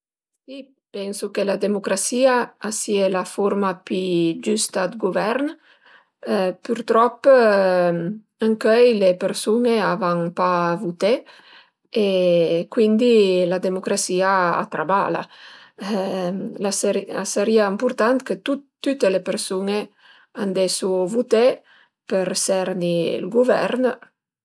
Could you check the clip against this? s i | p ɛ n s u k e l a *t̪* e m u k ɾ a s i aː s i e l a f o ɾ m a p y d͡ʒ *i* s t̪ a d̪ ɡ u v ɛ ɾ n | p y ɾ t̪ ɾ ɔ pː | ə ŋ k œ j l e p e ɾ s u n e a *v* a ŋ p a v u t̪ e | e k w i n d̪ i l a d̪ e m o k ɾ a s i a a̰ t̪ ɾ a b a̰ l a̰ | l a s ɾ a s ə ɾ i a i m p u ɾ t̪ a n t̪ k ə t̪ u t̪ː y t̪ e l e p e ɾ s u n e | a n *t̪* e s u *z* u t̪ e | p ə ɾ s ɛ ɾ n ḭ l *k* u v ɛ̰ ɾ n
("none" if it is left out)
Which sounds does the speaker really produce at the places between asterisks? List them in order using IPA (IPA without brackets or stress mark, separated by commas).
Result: d̪, y, v, d̪, v, ɡ